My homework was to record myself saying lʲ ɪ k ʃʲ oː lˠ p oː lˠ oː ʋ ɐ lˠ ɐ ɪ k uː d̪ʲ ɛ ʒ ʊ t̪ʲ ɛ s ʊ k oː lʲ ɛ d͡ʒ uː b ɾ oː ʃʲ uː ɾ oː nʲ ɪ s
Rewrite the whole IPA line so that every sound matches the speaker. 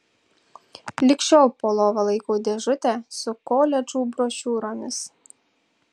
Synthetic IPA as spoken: lʲ ɪ k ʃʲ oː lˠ p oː lˠ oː ʋ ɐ lˠ ɐ ɪ k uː d̪ʲ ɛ ʒ ʊ t̪ʲ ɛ s ʊ k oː lʲ ɛ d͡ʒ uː b ɾ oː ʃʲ uː ɾ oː mʲ ɪ s